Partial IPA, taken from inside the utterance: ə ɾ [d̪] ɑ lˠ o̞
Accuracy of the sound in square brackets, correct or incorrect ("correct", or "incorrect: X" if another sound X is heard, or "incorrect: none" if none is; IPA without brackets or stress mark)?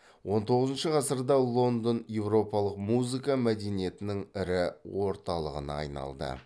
correct